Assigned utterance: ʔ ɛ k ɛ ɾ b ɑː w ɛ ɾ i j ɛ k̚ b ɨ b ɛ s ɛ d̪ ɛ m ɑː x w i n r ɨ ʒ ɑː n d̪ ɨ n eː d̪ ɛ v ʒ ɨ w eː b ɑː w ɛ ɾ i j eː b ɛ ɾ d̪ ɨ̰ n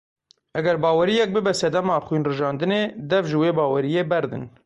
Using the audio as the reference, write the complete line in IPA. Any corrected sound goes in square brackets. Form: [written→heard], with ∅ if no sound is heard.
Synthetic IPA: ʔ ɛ [k→ɡ] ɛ ɾ b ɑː w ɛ ɾ i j ɛ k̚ b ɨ b ɛ s ɛ d̪ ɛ m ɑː x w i n r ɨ ʒ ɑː n d̪ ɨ n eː d̪ ɛ v ʒ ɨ w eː b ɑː w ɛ ɾ i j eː b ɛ ɾ d̪ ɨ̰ n